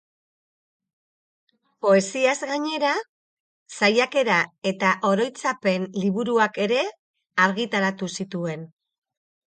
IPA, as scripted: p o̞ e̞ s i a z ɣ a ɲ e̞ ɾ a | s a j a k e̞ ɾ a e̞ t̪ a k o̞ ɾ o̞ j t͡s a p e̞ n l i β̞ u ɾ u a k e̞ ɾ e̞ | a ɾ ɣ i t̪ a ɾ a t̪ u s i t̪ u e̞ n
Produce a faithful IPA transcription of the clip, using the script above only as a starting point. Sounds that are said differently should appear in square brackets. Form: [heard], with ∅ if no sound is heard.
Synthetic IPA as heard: p o̞ e̞ s i a z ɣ a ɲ e̞ ɾ a | s a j a k e̞ ɾ a e̞ t̪ a [ʔ] o̞ ɾ o̞ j t͡s a p e̞ n l i β̞ u ɾ u a k e̞ ɾ e̞ | a ɾ ɣ i t̪ a ɾ a t̪ u s i t̪ u e̞ n